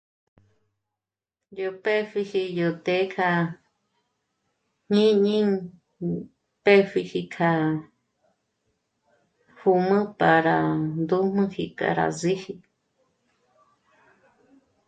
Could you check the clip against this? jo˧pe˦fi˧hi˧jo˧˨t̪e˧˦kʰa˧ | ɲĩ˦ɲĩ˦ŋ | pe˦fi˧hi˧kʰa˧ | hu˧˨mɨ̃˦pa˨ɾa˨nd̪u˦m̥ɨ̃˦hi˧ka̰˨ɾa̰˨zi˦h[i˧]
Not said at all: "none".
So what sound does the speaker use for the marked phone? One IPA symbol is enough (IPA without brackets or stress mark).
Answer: i˧